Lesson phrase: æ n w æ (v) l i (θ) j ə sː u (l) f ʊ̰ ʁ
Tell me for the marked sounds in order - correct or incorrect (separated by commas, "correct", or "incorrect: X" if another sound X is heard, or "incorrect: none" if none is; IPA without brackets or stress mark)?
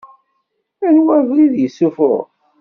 correct, incorrect: ð, incorrect: none